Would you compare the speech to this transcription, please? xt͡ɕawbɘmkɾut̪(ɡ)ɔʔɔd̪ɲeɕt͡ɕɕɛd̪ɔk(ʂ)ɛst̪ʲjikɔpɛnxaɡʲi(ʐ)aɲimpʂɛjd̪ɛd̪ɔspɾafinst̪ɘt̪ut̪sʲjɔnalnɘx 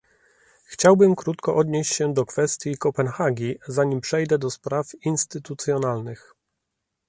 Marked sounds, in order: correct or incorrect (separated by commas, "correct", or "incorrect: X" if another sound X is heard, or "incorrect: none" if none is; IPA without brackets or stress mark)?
incorrect: k, incorrect: f, incorrect: z